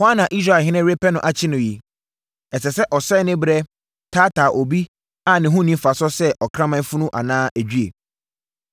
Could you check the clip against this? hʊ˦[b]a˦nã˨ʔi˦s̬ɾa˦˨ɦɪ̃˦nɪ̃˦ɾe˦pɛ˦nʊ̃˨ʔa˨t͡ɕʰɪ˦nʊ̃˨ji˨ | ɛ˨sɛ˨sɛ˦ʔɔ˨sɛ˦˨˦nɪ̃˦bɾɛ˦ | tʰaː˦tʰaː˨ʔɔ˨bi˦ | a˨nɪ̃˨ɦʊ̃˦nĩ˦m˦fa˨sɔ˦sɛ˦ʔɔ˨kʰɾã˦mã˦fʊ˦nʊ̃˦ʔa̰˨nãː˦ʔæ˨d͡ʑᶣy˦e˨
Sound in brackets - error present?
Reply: yes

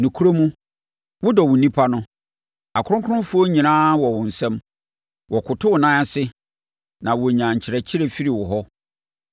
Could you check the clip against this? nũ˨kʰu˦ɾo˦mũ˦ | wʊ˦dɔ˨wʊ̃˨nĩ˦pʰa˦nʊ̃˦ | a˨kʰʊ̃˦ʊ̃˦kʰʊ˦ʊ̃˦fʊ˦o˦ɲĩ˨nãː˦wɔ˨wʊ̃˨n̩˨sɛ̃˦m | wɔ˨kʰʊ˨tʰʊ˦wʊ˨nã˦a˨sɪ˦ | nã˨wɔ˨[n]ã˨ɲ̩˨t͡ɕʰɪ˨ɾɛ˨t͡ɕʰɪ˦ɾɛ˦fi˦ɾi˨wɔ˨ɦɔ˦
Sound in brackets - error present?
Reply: yes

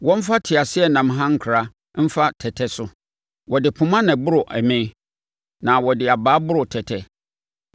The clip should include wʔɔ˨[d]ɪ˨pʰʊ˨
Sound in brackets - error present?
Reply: no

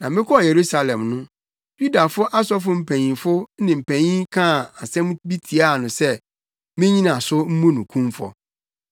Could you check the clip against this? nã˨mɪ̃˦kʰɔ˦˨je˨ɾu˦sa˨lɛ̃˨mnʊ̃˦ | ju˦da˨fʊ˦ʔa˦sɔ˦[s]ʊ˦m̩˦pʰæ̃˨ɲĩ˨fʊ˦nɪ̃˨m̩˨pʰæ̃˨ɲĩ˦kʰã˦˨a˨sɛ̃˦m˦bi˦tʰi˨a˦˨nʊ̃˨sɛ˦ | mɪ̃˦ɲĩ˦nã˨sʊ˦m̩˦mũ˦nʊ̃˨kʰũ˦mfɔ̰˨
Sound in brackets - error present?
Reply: yes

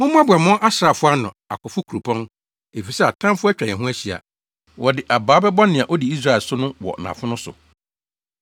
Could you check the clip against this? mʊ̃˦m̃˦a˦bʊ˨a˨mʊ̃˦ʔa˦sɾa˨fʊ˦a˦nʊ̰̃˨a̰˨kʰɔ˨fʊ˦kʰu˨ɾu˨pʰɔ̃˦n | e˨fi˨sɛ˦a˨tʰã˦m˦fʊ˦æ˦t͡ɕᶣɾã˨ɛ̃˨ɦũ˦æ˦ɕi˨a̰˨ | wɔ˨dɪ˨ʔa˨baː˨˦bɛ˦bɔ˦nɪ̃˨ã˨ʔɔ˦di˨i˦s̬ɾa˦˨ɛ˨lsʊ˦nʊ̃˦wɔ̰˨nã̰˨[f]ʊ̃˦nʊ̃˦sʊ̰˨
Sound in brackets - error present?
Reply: no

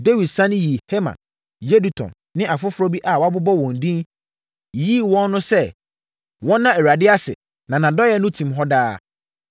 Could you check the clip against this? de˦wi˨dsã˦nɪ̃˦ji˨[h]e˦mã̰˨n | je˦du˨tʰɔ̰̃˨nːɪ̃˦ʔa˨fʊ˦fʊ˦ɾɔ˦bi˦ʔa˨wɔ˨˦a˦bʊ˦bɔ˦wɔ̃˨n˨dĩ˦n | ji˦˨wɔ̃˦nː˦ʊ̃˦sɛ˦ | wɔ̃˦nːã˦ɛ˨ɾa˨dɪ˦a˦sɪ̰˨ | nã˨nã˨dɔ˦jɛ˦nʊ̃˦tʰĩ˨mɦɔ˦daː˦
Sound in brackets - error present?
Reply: no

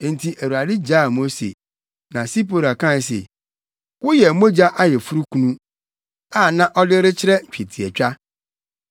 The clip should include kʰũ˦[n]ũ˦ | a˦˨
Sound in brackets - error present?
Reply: no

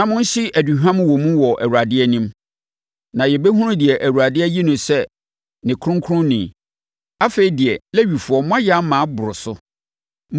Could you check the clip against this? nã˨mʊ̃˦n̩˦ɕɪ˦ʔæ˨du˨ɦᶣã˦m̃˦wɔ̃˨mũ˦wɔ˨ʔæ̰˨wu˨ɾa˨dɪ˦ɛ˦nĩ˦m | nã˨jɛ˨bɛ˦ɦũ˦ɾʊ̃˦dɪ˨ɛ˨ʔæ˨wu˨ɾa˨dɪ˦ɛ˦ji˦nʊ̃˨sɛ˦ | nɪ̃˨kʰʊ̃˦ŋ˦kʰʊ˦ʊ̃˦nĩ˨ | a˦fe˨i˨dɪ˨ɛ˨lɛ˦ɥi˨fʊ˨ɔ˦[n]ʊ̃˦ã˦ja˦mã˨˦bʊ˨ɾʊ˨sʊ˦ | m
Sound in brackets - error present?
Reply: yes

